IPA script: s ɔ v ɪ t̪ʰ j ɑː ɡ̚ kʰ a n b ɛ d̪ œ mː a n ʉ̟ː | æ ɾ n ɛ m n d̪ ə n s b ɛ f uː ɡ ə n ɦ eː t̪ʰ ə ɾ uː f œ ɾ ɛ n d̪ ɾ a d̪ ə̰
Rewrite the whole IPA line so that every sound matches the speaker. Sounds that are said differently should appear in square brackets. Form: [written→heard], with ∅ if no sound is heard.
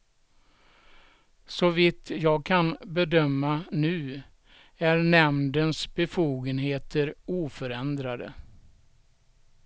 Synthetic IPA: s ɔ v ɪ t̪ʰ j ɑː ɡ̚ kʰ a n b ɛ d̪ œ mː a n ʉ̟ː | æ ɾ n ɛ m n d̪ ə n s b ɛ f uː ɡ ə n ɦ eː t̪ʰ ə ɾ uː f œ ɾ ɛ n d̪ ɾ a d̪ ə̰